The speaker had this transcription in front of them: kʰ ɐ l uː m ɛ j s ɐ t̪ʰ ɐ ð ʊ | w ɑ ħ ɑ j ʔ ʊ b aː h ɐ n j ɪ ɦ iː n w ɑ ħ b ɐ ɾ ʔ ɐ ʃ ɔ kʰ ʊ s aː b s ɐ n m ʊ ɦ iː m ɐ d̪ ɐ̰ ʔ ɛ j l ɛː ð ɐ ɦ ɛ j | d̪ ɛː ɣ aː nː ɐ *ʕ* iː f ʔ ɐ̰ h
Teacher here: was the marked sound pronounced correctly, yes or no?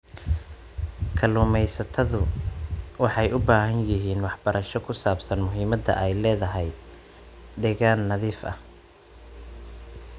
no